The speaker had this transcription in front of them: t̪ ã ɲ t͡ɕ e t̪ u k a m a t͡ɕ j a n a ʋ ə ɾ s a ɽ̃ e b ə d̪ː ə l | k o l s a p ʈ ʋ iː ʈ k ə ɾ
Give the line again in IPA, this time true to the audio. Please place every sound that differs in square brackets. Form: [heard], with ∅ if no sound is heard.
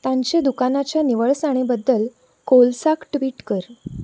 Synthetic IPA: t̪ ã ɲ t͡ɕ e [d̪] u k a [n] a t͡ɕ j a n [i] ʋ ə [ɭ] s a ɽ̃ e b ə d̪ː ə l | k o l s a [k] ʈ ʋ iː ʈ k ə ɾ